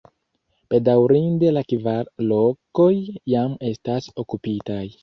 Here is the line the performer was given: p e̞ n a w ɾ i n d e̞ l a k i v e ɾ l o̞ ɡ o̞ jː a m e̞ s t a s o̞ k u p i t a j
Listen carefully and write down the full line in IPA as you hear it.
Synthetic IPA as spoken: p e̞ d a w ɾ i n d e̞ l a k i v a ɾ l o̞ k o̞ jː a m e̞ s t a s o̞ k u p i t a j